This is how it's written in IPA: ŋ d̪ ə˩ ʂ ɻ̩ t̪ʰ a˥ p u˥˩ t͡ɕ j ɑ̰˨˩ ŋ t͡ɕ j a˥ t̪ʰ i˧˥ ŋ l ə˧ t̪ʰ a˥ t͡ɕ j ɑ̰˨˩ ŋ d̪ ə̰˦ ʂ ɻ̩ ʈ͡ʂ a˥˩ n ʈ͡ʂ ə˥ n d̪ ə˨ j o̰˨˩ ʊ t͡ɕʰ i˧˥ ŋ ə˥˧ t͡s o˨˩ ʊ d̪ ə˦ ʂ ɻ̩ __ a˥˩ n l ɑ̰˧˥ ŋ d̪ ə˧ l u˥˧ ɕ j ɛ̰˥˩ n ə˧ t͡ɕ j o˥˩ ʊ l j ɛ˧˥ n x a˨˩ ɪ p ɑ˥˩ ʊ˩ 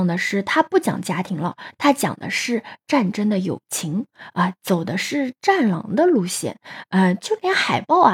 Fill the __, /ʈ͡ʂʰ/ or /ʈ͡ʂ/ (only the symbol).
ʈ͡ʂ